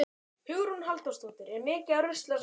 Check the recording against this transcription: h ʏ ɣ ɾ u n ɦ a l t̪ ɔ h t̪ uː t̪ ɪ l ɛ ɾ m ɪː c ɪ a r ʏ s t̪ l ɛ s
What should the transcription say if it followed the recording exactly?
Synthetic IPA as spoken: h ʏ ɣ ɾ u n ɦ a l t̪ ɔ s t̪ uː t̪ ɪ ɾ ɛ ɾ m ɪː c ɪ a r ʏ s t̪ l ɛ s